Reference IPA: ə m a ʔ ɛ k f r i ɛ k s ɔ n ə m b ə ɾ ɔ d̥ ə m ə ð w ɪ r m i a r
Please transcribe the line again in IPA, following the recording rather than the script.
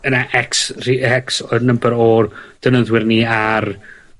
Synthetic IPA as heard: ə n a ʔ ɛ k s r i ɛ k s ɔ n ə m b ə ɾ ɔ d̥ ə n ə ð w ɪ r n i a r